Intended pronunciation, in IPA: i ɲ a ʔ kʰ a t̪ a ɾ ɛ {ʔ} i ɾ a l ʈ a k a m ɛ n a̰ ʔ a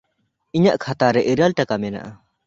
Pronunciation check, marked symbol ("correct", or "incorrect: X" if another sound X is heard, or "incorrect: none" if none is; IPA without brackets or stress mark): correct